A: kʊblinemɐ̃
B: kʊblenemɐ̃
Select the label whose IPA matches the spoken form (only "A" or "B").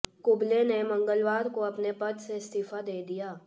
B